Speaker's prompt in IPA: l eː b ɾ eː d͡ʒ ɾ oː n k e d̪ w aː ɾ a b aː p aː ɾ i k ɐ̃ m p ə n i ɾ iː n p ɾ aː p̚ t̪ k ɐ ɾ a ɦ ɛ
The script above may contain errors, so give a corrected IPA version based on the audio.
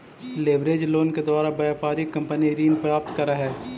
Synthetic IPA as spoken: l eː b ɾ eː d͡ʒ l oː n k e d̪ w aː ɾ a b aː p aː ɾ i k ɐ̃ m p ə n i ɾ iː n p ɾ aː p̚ t̪ k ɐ ɾ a ɦ ɛː

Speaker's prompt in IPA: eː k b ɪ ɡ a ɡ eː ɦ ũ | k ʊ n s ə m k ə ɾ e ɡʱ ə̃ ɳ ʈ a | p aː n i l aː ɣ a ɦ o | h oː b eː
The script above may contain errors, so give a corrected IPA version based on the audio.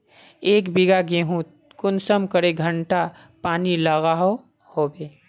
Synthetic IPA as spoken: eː k b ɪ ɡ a ɡ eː ɦ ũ | k ʊ n s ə m k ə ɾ e ɡʱ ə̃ ɳ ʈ a | p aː n i l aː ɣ a ɦ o | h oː b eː

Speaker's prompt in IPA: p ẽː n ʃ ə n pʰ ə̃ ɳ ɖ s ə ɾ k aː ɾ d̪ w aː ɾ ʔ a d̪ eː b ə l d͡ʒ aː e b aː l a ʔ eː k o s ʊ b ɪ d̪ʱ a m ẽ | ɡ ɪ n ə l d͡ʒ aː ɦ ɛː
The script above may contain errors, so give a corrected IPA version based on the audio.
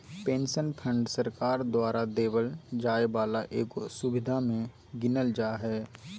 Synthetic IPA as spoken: p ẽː n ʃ ə n pʰ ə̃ ɳ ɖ s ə ɾ k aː ɾ d̪ w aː ɾ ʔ a d̪ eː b ə l d͡ʒ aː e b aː l a ʔ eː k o s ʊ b ɪ d̪ʱ a m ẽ | ɡ ɪ n ə l d͡ʒ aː ɦ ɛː

